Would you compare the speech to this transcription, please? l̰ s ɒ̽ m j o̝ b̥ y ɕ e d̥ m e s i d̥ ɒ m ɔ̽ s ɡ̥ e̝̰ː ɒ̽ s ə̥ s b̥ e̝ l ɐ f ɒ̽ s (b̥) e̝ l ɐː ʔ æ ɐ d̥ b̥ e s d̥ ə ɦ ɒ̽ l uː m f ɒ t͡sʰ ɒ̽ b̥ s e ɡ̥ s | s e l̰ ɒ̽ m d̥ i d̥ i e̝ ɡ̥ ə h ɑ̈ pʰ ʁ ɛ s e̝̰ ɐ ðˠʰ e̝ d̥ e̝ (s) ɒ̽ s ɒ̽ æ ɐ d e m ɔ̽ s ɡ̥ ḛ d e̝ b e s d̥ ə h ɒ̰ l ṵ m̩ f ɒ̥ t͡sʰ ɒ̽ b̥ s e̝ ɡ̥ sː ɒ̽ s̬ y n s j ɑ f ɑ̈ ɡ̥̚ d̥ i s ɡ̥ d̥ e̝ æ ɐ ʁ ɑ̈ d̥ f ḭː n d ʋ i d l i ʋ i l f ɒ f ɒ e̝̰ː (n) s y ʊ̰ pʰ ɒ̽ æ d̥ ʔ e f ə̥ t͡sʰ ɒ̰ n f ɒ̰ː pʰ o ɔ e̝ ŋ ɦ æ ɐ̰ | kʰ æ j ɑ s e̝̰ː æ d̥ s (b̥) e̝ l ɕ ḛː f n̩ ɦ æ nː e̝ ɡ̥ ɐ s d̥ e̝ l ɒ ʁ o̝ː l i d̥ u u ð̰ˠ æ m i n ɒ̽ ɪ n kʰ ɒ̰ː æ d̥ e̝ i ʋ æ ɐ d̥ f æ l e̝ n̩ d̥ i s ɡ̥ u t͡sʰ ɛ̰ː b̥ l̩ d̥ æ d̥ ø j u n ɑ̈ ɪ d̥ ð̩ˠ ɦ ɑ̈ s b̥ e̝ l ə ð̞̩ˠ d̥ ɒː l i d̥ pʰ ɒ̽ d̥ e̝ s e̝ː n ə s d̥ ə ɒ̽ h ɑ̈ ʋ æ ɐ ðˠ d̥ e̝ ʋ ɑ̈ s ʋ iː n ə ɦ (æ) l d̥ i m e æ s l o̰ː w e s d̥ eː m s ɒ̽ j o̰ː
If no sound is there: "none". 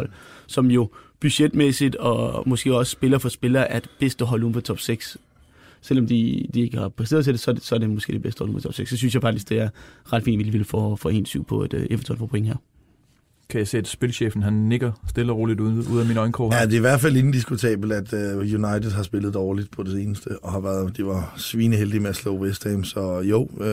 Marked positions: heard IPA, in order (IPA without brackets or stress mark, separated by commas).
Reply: b̥, s, n, b̥, e